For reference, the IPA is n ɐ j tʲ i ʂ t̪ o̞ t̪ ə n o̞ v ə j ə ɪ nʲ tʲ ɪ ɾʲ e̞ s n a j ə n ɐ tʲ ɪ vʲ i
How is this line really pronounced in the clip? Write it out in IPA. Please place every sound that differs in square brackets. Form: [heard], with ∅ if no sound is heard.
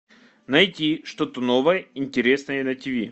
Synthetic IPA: n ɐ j tʲ i ʂ t̪ o̞ t̪ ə n o̞ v ə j ə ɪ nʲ tʲ ɪ ɾʲ e̞ s n [ə] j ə n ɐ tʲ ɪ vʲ i